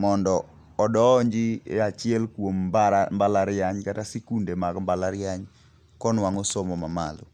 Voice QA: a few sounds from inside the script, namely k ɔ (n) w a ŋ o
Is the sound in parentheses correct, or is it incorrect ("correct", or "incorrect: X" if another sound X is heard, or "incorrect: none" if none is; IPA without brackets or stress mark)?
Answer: correct